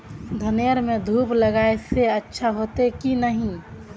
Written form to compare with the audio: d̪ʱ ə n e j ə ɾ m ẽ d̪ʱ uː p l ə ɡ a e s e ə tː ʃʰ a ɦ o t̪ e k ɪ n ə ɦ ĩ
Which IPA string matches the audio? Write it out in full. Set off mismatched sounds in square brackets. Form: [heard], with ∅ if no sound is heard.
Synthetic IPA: d̪ʱ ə n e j ə ɾ m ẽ d̪ʱ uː p l ə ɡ a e s e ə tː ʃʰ a ɦ o t̪ e k [i] n ə ɦ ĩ

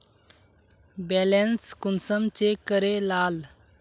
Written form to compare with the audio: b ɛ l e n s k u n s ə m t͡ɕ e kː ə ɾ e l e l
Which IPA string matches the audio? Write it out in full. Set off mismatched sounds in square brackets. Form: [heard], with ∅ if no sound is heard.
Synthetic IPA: b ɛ l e n s k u n s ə m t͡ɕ e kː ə ɾ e l [a] l

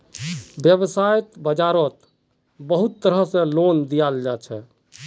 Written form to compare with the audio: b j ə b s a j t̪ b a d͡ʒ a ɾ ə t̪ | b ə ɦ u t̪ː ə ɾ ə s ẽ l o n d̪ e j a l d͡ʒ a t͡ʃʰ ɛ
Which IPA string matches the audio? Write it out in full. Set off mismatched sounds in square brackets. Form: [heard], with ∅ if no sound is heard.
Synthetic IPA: b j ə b s a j t̪ b [ə] d͡ʒ a ɾ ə t̪ | b ə ɦ u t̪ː ə ɾ ə s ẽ l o n d̪ [i] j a l d͡ʒ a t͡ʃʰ ɛ

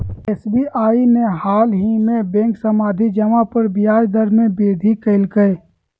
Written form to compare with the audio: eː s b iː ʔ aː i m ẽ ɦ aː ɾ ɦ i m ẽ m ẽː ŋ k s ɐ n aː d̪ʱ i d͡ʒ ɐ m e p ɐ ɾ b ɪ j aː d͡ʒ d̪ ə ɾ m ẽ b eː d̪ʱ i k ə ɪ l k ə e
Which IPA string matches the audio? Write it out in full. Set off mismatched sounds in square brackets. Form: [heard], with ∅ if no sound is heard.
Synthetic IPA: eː s b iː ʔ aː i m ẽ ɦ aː [l] ɦ i m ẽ [b] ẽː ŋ k s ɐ [m] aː d̪ʱ i d͡ʒ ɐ m [a] p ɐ ɾ b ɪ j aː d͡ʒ d̪ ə ɾ m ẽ b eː d̪ʱ i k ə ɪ l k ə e

